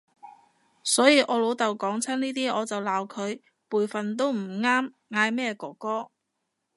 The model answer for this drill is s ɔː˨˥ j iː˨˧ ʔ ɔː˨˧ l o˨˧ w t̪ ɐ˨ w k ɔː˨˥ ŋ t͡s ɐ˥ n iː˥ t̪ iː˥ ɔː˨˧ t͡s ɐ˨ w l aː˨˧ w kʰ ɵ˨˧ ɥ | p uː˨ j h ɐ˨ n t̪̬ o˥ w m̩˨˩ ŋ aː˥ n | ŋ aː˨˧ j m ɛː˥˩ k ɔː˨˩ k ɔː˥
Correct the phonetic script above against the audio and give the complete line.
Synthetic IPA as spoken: s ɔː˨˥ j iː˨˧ ʔ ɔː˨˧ l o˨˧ w t̪ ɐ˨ w k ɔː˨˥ ŋ t͡sʰ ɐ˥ n iː˥ t̪ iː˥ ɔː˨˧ t͡s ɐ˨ w l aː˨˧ w kʰ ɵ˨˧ ɥ | p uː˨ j f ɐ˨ n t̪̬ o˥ w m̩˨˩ ŋ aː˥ m | ŋ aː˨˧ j m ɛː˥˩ k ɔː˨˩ k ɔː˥